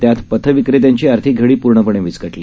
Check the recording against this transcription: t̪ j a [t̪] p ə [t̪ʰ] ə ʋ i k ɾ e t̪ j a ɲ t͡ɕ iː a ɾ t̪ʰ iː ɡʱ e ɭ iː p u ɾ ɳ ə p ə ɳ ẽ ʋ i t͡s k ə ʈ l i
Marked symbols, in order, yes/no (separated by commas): yes, yes